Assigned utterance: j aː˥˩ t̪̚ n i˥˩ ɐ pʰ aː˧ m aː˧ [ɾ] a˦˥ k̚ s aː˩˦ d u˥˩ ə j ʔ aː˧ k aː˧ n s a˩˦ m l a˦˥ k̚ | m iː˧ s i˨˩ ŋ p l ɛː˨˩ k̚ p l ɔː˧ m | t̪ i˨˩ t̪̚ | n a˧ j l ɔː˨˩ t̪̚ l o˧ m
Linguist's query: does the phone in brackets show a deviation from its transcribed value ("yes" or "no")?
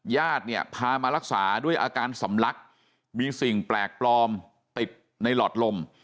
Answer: no